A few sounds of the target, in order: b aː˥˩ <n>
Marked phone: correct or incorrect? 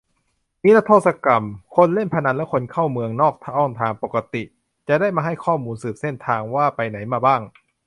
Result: incorrect: ŋ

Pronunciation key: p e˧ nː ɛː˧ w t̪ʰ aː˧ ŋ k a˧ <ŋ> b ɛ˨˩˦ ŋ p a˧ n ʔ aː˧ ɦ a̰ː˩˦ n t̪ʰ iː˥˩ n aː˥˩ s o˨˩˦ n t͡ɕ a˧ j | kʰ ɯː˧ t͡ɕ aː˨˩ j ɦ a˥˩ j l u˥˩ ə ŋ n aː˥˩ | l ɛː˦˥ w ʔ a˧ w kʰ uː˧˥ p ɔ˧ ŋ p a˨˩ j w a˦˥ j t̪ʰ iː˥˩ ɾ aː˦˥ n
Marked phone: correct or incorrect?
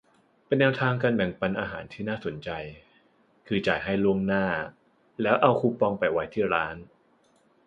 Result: incorrect: n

